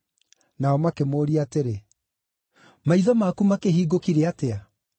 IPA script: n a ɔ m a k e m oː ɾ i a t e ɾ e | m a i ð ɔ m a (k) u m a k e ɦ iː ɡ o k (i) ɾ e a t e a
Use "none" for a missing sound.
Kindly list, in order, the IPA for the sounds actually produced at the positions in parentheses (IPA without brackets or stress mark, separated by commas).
k, i